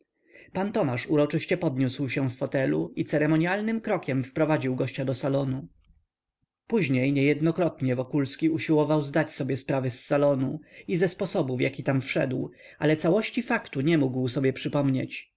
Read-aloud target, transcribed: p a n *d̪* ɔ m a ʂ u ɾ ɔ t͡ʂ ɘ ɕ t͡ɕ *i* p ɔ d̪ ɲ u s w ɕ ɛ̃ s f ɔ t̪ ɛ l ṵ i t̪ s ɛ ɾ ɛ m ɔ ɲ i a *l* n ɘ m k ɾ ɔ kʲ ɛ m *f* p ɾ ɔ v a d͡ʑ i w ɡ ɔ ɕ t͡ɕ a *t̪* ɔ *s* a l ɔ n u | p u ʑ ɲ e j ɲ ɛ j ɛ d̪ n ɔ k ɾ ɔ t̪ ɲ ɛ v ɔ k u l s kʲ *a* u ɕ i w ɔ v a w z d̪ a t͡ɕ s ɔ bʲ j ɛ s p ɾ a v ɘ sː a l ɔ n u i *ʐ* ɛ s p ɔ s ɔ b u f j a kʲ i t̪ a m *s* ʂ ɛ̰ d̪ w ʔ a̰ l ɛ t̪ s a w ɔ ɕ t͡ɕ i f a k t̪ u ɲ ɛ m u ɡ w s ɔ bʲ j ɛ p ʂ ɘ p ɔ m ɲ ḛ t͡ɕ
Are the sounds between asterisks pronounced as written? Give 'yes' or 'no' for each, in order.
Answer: no, no, yes, yes, no, yes, no, no, no

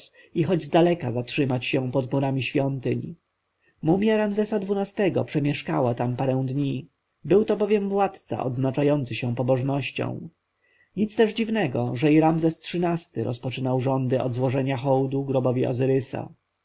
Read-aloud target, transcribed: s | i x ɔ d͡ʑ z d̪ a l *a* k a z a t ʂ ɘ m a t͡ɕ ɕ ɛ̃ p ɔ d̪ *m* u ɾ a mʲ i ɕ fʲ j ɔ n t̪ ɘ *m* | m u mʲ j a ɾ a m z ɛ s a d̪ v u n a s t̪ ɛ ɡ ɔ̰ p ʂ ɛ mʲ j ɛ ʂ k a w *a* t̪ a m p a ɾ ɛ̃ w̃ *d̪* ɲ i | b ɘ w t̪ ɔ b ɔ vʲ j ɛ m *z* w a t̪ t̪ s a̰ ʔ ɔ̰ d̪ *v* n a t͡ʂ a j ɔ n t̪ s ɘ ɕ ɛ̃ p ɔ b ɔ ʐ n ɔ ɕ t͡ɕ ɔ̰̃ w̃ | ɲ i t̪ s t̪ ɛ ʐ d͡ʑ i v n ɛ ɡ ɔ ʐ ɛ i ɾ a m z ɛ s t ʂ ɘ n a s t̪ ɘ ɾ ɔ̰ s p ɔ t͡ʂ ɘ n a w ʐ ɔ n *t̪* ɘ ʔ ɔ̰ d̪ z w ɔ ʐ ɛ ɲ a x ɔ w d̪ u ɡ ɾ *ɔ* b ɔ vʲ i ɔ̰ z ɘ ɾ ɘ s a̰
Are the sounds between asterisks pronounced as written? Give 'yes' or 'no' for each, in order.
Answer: no, yes, no, yes, yes, no, no, no, yes

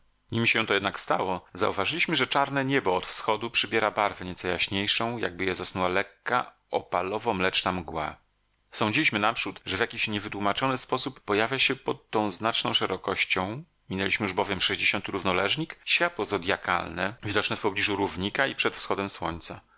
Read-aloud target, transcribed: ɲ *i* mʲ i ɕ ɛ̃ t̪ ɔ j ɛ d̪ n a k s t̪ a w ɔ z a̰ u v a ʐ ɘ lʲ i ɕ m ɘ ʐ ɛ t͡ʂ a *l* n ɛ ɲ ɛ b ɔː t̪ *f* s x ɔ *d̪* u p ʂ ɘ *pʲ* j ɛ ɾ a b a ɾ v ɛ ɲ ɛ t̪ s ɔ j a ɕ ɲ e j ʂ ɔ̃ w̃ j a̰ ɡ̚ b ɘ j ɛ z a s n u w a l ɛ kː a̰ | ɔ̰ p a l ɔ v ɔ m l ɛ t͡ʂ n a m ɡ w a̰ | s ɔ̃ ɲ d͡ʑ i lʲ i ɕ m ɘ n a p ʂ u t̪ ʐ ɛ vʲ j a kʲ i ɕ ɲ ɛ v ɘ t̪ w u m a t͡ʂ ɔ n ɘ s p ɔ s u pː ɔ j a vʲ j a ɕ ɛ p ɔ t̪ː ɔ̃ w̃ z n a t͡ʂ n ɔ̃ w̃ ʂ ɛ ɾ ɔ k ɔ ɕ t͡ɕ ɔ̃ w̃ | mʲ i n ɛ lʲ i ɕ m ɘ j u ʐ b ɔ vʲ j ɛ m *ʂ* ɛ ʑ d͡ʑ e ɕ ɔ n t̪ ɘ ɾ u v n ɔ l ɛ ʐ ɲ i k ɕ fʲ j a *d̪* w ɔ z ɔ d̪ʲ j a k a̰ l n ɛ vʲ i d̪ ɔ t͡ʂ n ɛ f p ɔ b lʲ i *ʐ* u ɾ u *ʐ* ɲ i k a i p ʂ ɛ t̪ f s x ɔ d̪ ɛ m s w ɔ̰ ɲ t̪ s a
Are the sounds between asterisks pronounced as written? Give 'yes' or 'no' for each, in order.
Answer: yes, no, yes, yes, no, yes, no, yes, no

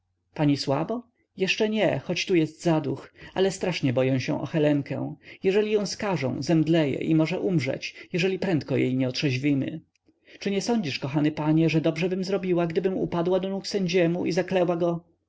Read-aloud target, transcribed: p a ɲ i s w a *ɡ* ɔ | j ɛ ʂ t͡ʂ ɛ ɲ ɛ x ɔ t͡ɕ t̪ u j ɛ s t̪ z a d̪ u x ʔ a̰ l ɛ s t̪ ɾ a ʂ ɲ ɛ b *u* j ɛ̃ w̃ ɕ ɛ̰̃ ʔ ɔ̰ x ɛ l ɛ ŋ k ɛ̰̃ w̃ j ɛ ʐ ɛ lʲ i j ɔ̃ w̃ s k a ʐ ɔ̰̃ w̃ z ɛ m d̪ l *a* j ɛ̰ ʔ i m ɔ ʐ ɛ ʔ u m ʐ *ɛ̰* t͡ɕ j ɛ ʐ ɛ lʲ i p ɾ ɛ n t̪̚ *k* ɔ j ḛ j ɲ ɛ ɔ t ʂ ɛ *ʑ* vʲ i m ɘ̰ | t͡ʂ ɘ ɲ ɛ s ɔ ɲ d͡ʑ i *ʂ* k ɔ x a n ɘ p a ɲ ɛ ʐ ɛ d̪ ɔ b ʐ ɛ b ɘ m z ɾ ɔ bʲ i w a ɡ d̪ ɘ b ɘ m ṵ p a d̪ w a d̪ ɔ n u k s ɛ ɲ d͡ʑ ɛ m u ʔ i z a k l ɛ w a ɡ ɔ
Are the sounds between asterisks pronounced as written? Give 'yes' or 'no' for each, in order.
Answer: no, no, no, yes, yes, yes, yes

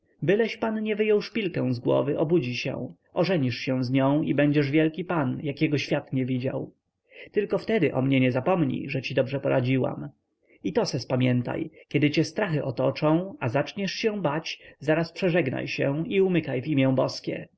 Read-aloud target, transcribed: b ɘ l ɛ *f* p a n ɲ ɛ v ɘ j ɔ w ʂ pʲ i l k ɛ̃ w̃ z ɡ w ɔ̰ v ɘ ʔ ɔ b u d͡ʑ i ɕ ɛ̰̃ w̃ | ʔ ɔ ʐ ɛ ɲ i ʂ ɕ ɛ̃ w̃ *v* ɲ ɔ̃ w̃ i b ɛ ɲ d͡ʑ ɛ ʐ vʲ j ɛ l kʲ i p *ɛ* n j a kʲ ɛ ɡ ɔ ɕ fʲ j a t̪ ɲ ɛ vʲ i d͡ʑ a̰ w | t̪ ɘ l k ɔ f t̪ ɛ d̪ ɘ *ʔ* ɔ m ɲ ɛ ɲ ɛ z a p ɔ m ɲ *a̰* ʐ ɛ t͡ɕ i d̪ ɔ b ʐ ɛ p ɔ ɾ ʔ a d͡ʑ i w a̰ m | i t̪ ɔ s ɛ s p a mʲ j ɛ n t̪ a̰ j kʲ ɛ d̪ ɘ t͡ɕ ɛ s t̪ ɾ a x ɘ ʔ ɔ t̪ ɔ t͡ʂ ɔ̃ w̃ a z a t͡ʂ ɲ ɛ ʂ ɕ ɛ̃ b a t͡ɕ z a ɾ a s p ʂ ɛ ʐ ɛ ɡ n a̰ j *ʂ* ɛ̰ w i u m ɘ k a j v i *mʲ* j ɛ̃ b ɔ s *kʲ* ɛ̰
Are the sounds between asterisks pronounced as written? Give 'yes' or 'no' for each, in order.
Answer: no, no, no, yes, no, no, yes, yes

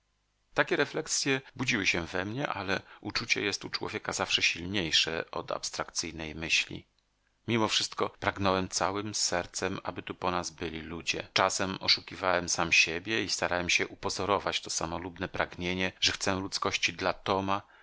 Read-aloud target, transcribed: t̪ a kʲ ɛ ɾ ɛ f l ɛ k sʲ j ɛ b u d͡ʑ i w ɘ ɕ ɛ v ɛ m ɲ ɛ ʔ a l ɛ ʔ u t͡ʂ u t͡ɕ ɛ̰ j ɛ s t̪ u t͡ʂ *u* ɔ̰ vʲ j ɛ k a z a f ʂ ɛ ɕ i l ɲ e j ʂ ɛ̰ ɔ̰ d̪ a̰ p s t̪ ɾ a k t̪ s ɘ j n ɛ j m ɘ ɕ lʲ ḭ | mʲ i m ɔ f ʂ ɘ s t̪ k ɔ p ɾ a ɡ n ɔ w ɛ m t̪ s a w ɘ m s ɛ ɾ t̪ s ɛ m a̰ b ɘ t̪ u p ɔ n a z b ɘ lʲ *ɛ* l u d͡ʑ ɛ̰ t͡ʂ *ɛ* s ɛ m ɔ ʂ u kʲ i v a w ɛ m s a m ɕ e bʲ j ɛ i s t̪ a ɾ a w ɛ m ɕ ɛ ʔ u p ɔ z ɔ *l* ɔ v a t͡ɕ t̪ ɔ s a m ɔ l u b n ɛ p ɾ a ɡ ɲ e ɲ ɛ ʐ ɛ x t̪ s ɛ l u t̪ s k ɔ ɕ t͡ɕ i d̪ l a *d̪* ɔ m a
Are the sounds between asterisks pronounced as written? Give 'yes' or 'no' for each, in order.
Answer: no, no, no, no, no

